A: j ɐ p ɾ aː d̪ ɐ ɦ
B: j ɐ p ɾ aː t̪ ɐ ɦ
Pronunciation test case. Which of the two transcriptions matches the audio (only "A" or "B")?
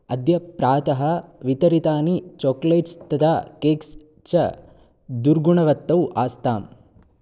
B